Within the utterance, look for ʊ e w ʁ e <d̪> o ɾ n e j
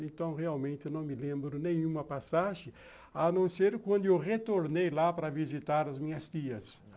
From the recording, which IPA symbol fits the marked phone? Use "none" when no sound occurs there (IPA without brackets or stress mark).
t̪